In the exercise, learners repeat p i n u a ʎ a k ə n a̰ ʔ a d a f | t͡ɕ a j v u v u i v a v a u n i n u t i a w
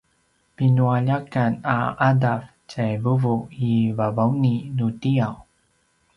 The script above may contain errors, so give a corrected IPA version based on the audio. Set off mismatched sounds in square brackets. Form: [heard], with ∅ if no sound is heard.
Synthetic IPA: p i n u a ʎ a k [a] n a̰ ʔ a d a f | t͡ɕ a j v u v u i v a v a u n i n u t i a w